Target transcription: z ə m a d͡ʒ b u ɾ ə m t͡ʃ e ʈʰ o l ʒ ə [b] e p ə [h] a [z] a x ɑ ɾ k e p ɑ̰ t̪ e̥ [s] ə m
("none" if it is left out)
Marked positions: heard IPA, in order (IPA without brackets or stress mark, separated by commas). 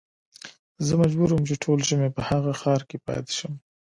m, h, ɣ, ʃ